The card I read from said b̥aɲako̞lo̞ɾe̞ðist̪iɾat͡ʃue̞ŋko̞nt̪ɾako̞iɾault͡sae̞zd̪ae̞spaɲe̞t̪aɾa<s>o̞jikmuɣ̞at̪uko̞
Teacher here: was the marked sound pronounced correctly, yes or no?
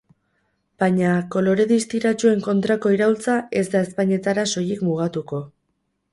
yes